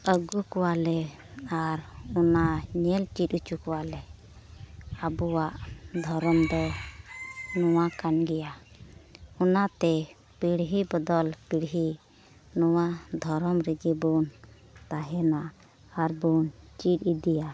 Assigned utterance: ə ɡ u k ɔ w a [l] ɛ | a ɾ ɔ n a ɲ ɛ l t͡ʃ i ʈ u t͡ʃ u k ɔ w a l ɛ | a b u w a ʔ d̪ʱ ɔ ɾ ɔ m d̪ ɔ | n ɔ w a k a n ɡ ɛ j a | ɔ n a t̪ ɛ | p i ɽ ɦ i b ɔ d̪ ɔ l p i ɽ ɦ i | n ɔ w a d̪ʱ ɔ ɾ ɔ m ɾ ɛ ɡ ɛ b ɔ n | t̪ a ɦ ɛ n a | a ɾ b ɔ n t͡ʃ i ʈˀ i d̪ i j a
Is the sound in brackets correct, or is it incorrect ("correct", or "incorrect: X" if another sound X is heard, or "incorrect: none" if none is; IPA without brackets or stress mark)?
correct